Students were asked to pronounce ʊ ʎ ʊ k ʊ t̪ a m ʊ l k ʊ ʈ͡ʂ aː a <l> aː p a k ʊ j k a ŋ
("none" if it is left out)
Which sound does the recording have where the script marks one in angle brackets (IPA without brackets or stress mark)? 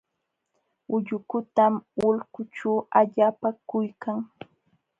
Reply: ʎ